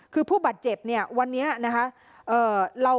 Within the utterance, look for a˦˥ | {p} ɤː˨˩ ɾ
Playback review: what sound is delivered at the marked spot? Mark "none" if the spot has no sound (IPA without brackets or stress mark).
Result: ʔ